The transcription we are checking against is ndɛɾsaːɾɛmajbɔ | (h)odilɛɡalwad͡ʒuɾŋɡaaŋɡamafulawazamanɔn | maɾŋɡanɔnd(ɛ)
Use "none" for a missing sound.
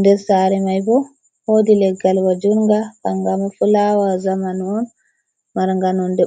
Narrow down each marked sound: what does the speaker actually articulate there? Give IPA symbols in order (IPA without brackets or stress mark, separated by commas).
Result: h, ɛ